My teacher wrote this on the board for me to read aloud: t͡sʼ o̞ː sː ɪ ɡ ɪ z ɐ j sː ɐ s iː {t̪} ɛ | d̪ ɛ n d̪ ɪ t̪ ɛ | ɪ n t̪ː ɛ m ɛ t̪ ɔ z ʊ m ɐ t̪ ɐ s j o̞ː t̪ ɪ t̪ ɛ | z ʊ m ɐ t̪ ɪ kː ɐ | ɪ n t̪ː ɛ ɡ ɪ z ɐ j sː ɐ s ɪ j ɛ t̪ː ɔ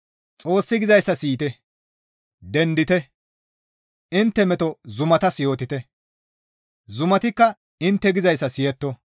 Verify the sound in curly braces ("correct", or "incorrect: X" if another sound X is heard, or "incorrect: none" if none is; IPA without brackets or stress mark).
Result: correct